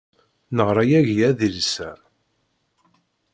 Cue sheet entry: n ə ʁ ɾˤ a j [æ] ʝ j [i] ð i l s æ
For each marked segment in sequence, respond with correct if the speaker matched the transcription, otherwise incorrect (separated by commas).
correct, incorrect